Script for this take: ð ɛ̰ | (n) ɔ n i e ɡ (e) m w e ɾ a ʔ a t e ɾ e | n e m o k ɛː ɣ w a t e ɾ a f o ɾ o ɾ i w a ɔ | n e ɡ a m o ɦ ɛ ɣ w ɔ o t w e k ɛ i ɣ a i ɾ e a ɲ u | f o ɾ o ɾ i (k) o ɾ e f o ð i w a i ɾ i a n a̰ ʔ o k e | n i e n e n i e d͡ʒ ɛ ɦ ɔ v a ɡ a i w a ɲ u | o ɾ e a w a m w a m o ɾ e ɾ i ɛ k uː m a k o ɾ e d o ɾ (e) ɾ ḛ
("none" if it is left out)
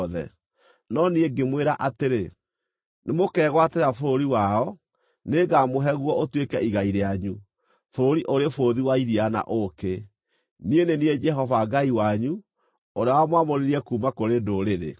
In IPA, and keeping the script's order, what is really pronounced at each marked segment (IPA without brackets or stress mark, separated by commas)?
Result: n, e, ʔ, e